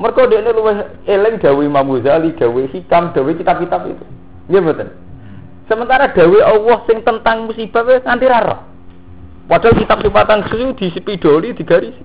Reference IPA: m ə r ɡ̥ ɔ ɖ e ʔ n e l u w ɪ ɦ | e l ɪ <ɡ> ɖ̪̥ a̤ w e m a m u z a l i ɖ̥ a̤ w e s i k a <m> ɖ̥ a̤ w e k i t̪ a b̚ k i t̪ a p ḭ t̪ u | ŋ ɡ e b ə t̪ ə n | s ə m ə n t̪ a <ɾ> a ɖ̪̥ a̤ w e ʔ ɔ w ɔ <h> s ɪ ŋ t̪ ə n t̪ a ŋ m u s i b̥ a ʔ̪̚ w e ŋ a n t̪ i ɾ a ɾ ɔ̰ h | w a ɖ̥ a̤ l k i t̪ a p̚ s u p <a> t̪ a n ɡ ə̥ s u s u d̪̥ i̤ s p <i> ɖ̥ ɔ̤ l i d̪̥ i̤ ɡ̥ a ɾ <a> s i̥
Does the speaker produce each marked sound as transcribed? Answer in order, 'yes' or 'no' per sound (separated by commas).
no, yes, yes, yes, yes, yes, no